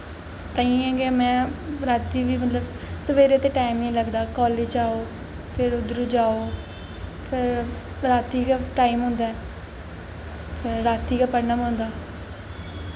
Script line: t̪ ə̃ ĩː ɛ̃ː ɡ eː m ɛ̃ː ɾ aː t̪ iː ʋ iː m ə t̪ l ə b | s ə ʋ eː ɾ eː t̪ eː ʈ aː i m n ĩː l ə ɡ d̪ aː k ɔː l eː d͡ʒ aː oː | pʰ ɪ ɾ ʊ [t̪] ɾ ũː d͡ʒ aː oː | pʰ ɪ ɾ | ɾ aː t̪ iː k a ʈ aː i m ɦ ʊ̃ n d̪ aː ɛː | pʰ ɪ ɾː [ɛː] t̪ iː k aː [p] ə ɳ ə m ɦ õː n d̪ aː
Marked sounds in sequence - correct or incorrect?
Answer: incorrect: d̪, incorrect: aː, correct

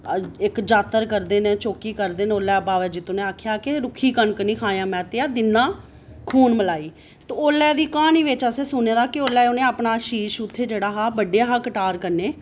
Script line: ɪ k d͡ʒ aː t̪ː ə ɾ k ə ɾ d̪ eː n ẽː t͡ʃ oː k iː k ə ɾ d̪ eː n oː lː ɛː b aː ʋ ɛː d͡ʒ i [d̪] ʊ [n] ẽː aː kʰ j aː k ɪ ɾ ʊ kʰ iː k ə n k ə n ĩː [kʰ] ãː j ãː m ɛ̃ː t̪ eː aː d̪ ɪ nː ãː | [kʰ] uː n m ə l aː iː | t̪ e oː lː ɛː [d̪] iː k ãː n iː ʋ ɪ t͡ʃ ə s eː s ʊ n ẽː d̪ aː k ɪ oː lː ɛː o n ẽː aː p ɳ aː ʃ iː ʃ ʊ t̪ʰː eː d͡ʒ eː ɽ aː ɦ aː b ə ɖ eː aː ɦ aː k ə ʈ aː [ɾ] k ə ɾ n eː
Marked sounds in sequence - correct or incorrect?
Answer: incorrect: t̪, correct, correct, correct, correct, correct

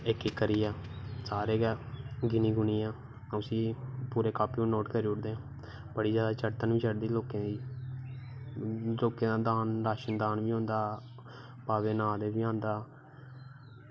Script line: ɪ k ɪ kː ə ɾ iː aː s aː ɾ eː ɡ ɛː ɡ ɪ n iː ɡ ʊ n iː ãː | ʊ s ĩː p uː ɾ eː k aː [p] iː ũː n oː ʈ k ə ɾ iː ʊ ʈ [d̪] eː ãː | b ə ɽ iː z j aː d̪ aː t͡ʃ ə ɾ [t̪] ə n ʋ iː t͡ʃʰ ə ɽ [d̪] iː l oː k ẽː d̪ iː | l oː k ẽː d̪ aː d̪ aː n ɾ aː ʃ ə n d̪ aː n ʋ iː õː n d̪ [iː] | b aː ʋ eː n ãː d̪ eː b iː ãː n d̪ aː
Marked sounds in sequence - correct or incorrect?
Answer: correct, correct, correct, correct, incorrect: aː

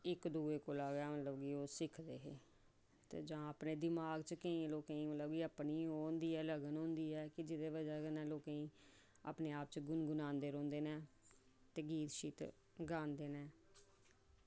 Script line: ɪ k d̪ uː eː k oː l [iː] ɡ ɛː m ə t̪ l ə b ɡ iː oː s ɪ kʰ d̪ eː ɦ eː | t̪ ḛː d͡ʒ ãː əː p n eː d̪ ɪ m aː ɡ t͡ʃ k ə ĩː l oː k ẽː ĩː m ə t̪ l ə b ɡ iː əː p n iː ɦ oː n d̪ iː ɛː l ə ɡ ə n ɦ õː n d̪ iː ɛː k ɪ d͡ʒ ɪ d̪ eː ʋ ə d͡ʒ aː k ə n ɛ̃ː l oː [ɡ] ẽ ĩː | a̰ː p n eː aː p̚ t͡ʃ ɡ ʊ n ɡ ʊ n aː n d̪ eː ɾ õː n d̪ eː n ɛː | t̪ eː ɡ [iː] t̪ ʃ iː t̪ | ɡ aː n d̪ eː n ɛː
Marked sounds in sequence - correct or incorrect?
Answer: incorrect: aː, incorrect: k, correct

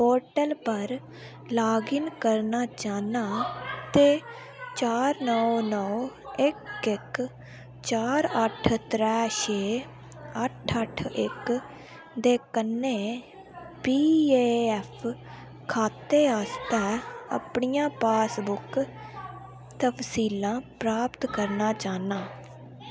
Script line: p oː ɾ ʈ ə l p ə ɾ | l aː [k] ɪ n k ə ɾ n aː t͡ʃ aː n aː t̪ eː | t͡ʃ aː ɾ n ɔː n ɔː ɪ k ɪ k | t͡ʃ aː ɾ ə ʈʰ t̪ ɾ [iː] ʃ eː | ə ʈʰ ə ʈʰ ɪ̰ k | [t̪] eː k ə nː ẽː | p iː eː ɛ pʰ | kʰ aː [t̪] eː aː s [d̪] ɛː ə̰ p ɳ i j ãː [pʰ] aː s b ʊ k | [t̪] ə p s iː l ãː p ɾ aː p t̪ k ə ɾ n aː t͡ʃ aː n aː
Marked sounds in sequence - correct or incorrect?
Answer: incorrect: ɡ, incorrect: ɛː, incorrect: d̪, correct, incorrect: t̪, incorrect: p, correct

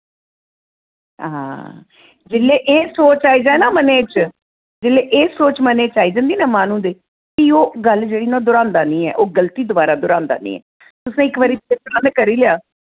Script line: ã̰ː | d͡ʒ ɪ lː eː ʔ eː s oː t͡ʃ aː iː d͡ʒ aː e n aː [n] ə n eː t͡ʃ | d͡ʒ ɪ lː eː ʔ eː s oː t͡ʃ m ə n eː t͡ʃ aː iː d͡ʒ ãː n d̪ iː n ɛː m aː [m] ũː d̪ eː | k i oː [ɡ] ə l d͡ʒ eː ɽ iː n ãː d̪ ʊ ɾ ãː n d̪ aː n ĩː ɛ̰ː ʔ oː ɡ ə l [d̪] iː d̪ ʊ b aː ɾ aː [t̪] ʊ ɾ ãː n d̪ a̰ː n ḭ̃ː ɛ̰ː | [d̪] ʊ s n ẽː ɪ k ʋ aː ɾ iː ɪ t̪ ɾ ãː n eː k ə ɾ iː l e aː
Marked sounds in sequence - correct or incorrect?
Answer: incorrect: m, incorrect: n, correct, incorrect: t̪, incorrect: d̪, incorrect: t̪

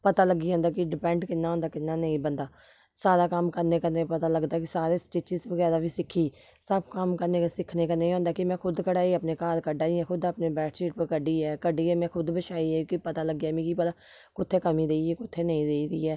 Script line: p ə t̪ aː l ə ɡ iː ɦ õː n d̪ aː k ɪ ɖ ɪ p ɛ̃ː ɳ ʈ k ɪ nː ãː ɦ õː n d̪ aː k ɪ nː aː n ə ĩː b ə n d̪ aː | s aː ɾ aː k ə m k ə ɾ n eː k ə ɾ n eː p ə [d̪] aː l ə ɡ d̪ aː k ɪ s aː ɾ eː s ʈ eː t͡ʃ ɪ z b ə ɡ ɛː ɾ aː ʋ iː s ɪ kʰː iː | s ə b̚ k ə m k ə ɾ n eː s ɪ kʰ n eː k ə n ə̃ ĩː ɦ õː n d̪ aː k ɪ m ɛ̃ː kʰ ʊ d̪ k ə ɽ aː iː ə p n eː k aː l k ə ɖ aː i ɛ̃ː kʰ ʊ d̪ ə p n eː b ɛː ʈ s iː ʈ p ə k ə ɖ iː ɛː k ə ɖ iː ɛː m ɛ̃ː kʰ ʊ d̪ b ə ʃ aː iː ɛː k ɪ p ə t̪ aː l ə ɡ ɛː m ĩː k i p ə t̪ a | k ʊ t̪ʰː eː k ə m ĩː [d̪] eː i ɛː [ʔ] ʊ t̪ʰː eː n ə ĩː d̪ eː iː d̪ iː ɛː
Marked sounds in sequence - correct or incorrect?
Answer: incorrect: t̪, correct, incorrect: k

